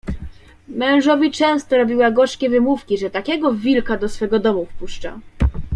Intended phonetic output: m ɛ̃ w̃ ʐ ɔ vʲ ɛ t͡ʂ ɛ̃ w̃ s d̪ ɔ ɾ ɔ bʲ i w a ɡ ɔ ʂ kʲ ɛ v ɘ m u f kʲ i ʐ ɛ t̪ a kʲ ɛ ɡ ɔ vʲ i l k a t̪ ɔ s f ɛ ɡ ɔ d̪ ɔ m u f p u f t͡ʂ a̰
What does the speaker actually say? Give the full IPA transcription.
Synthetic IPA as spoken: m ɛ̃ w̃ ʐ ɔ vʲ i t͡ʂ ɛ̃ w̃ s t̪ ɔ ɾ ɔ bʲ i w a ɡ ɔ ʂ kʲ ɛ v ɘ m u f kʲ i ʐ ɛ t̪ a kʲ ɛ ɡ ɔ vʲ i l k a d̪ ɔ s f ɛ ɡ ɔ d̪ ɔ m u f p u ʂ t͡ʂ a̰